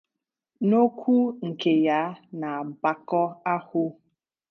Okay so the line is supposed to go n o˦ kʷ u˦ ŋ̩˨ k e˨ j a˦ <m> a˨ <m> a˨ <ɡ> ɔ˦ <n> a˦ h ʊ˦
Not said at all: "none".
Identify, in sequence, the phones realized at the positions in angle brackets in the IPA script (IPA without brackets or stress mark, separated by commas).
n, b, k, none